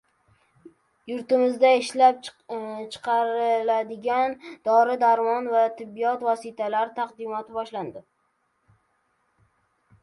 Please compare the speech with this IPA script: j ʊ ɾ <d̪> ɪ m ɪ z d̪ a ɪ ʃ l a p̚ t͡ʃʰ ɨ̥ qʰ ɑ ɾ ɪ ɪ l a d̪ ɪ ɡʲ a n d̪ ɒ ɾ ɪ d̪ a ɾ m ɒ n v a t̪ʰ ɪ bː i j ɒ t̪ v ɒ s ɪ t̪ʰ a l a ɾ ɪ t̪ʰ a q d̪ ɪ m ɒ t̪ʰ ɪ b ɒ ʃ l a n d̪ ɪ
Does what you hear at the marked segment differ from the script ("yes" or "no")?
yes